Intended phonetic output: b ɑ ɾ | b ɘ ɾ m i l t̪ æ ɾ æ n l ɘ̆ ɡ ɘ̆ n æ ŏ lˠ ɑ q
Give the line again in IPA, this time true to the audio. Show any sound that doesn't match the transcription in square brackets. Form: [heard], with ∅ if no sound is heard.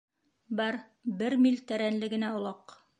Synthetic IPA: b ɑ ɾ | b ɘ ɾ m i l t̪ æ ɾ æ n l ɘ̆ ɡ ɘ̆ n æ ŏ lˠ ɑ q